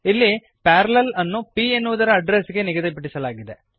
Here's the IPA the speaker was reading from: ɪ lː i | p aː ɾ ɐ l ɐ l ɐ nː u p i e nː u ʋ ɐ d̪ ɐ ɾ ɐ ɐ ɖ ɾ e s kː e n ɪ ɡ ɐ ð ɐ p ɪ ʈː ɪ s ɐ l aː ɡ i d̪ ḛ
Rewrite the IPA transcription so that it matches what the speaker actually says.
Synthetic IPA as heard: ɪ lː i | p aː ɾ ɐ l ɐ l ɐ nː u p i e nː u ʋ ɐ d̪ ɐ ɾ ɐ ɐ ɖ ɾ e s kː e n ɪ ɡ ɐ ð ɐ p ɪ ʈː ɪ s ɐ l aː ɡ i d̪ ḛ